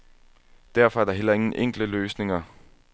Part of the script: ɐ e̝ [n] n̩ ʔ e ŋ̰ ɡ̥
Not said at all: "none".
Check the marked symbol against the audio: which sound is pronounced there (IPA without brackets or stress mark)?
ŋ